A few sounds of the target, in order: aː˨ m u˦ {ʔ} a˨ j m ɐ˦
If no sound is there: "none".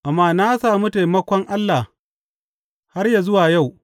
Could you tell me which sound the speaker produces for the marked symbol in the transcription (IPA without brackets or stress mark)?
t